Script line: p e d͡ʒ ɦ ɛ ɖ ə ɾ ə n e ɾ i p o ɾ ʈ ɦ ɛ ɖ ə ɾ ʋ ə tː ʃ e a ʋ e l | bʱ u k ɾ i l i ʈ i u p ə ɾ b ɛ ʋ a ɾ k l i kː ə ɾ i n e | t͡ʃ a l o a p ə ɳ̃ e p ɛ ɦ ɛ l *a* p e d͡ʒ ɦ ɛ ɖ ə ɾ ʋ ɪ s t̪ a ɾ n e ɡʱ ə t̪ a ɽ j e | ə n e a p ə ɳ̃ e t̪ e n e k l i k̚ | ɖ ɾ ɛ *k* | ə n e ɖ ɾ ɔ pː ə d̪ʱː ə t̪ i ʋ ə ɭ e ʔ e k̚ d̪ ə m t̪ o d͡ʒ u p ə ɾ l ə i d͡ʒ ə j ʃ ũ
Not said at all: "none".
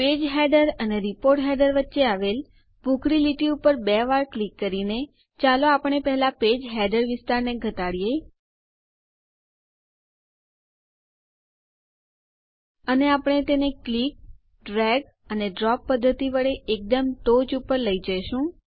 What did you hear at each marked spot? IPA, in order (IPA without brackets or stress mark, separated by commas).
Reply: a, ɡ